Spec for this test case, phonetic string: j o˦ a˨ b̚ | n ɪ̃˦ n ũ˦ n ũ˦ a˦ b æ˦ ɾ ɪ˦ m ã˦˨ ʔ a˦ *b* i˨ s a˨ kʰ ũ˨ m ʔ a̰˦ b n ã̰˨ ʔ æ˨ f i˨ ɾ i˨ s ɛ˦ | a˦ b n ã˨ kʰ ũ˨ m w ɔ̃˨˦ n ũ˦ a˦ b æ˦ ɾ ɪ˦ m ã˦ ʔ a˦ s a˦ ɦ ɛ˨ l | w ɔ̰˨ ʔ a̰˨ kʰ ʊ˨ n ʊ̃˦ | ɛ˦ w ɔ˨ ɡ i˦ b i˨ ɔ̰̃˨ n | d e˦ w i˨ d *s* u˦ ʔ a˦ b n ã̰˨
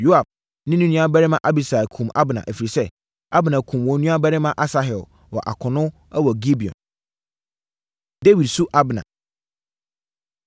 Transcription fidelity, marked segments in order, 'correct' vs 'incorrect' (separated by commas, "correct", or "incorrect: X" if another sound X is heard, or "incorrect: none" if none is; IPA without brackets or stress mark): correct, correct